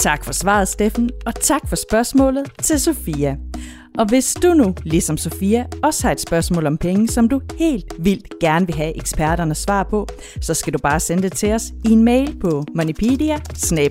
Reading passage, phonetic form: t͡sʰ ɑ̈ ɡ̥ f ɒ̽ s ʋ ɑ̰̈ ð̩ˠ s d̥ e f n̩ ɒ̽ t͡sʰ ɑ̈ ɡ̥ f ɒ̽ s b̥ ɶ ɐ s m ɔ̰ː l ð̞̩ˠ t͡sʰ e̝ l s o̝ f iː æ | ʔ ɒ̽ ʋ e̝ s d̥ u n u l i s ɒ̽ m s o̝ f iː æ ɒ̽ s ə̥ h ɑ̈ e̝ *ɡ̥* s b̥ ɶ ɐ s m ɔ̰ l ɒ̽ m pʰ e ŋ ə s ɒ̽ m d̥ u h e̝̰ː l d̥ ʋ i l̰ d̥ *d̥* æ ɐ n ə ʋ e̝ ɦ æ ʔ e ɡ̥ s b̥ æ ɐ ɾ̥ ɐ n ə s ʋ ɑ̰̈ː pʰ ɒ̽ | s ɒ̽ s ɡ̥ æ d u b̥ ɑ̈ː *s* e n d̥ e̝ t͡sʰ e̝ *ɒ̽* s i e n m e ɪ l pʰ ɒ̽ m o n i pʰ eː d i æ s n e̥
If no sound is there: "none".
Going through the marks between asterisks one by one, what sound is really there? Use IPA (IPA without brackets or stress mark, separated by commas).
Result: d̥, ɡ̥, s, ɒ̽